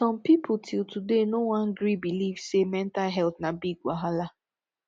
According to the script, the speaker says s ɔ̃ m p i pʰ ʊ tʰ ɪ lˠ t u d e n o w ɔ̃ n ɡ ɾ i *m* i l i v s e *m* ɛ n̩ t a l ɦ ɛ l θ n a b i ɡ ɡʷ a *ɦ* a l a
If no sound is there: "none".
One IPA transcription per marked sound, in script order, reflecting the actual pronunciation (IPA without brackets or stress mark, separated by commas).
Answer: b, m, ɦ